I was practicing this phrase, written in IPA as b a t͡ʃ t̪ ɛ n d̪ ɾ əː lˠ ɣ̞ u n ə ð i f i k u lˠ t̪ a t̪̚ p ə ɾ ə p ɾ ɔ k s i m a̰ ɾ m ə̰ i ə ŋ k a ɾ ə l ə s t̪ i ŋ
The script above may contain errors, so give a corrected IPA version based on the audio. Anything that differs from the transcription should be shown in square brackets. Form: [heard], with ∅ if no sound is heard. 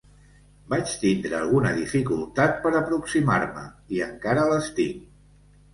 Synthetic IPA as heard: b a t͡ʃ t̪ [i] n d̪ ɾ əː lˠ ɣ̞ u n ə ð i f i k u lˠ t̪ a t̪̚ p ə ɾ ə p ɾ [u] k s i m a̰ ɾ m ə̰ i ə ŋ k a ɾ ə l ə s t̪ i ŋ